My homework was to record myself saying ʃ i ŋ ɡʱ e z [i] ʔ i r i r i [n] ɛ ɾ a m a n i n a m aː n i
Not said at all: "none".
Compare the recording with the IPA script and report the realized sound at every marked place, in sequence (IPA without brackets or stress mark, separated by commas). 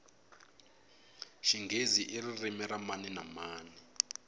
i, m